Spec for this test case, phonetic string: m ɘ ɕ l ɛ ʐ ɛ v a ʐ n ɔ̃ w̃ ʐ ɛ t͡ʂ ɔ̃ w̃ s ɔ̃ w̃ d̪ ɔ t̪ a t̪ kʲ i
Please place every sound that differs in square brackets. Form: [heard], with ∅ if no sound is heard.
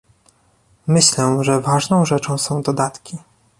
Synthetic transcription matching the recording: m ɘ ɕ l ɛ ʐ ɛ v a ʐ n ɔ̃ w̃ ʐ ɛ t͡ʂ ɔ̃ w̃ s ɔ̃ w̃ d̪ ɔ [d̪] a t̪ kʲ i